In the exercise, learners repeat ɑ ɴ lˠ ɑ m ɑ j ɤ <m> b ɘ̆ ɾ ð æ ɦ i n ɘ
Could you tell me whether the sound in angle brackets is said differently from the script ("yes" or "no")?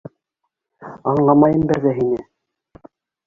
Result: no